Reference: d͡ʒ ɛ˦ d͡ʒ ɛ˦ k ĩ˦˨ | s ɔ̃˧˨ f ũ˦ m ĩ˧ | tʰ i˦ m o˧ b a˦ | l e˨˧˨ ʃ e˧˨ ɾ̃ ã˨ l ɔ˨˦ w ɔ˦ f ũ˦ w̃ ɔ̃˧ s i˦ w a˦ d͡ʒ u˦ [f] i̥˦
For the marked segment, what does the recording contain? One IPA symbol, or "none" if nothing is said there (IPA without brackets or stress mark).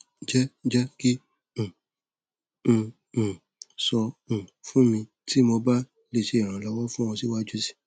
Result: s